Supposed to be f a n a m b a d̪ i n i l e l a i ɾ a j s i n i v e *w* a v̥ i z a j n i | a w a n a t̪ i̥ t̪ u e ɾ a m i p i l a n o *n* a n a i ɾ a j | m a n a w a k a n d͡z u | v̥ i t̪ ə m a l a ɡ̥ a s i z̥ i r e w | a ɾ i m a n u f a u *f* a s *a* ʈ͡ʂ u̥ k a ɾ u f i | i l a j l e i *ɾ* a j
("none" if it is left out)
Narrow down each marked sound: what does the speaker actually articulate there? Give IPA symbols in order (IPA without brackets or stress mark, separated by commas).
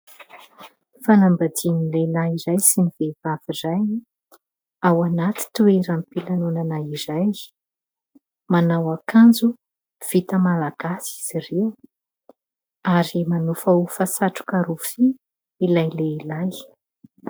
v, n, f, a, l